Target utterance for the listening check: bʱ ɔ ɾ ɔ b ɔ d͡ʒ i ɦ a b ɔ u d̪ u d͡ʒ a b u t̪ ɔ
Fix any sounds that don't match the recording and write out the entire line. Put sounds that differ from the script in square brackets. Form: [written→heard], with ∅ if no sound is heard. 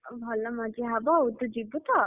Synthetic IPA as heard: bʱ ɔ [ɾ→l] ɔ [b→m] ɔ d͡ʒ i ɦ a b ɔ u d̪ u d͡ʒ [a→i] b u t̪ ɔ